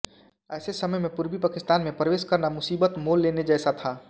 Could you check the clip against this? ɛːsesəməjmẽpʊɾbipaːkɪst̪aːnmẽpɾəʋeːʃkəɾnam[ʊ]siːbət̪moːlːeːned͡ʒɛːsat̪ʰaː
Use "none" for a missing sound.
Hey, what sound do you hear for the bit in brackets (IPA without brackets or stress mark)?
ʊ